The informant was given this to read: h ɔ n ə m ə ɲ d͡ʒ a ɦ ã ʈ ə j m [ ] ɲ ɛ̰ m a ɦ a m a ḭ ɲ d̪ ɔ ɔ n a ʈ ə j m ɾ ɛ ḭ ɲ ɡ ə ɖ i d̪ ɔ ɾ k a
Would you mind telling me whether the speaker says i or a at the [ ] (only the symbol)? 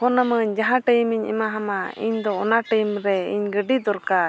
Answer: i